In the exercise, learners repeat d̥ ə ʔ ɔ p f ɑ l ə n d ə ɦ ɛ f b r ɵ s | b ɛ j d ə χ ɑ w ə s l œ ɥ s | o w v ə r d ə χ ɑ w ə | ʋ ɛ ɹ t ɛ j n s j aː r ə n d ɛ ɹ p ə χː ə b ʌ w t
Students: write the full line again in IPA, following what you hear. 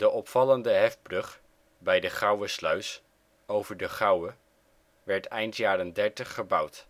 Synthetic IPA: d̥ ə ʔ ɔ p f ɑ l ə n d ə ɦ ɛ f b r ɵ χ | b ɛ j d ə χ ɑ w ə s l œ ɥ s | o w v ə ɹ d ə χ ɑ w ə | ʋ ɛ ɹ t ɛ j n t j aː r ə n d ɛ ɹ t ə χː ə b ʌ w t